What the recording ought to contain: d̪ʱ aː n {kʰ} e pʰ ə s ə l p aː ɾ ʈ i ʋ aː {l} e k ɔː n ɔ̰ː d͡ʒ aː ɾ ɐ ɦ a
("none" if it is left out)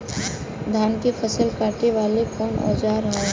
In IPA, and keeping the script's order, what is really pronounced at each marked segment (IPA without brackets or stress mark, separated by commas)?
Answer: k, l